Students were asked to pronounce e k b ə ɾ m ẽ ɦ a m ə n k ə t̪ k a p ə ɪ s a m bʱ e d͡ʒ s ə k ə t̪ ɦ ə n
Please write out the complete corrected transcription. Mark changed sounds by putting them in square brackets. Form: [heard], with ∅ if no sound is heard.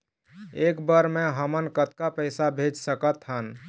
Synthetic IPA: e k b ə ɾ m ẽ ɦ [ə] m ə n k ə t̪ k a p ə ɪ s a [∅] bʱ e d͡ʒ s ə k ə t̪ ɦ ə n